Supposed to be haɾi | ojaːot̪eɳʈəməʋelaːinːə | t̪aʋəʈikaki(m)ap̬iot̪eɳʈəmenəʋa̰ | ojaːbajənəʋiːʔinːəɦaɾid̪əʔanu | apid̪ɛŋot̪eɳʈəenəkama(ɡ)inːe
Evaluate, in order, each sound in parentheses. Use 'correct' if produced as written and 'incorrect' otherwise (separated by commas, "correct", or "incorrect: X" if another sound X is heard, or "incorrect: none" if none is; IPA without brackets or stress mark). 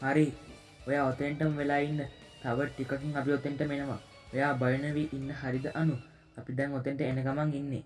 incorrect: ŋ, incorrect: ŋ